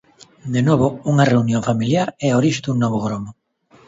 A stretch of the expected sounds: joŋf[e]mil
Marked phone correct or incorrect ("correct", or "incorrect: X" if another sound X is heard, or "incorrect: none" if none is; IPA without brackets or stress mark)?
incorrect: a